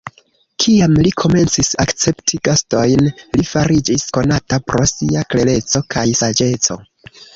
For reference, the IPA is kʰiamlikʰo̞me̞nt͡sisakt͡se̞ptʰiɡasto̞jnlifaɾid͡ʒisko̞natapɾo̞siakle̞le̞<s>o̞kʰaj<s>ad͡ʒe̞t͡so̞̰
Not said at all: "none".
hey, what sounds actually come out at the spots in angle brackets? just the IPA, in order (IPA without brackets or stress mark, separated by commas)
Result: t͡s, s